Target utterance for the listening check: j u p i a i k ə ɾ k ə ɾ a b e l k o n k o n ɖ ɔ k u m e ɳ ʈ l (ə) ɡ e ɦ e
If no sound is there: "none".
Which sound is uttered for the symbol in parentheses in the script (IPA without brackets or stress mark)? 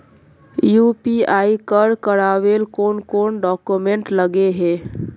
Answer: ə